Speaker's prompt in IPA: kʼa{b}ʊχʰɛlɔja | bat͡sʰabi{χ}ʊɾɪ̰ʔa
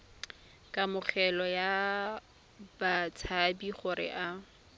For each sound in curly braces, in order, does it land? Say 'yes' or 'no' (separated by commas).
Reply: no, yes